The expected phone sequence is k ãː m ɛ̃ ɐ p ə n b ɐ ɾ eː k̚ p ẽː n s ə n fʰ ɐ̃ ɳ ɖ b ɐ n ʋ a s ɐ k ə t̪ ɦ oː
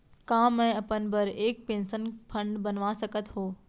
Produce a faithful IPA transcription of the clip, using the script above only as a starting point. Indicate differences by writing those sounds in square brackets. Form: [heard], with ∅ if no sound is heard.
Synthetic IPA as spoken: k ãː m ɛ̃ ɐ p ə n b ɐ ɾ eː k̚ p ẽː n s ə n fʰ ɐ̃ ɳ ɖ b ɐ n ʋ a s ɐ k ə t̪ ɦ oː